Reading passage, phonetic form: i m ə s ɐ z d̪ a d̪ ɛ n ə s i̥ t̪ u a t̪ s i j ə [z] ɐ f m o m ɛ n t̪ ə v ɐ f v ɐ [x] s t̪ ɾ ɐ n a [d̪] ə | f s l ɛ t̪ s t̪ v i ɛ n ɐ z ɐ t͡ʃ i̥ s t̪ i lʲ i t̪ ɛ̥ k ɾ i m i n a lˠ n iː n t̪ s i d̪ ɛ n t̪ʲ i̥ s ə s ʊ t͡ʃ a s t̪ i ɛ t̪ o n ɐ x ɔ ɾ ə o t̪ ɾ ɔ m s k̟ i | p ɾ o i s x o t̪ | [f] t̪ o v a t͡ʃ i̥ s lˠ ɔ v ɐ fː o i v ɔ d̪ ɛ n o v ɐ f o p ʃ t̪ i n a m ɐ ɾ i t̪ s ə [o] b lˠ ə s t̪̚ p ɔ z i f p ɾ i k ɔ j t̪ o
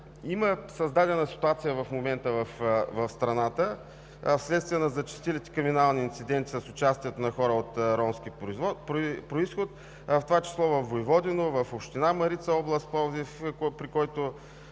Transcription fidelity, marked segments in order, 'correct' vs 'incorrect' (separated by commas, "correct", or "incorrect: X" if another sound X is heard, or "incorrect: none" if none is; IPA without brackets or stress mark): incorrect: v, incorrect: f, incorrect: t̪, correct, incorrect: ɔ